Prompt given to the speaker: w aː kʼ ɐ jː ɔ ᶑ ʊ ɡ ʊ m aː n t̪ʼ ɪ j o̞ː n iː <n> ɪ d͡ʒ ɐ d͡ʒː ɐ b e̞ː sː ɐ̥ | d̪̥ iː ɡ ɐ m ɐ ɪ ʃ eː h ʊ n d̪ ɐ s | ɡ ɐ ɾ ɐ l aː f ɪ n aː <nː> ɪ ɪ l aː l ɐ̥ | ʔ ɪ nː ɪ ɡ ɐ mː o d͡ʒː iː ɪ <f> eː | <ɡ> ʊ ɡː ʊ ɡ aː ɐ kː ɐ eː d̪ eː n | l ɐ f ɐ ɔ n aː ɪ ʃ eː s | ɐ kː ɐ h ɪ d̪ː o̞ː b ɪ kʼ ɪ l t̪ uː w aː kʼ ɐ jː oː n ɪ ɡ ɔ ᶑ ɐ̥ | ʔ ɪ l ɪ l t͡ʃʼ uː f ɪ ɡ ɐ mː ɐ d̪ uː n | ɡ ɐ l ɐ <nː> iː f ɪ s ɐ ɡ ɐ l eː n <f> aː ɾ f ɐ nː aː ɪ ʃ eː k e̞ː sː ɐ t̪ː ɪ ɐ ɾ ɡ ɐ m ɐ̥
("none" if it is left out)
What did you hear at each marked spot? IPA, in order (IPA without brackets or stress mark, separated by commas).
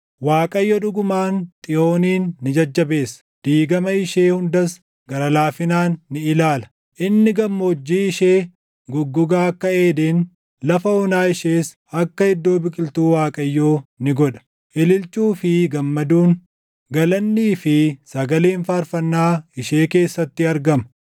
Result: nː, nː, ʃ, ɡ, nː, f